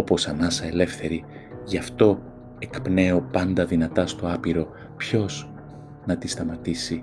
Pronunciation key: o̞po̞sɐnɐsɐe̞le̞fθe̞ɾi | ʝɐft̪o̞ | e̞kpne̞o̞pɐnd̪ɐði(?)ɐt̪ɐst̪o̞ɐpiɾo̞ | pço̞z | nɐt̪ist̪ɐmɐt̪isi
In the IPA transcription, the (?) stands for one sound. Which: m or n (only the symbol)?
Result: n